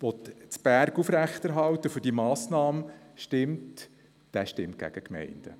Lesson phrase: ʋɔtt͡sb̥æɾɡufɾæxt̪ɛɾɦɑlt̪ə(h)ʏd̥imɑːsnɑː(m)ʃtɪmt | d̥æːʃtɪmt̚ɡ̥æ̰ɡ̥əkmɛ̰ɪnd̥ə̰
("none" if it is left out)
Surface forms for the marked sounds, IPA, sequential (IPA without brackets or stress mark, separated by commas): f, m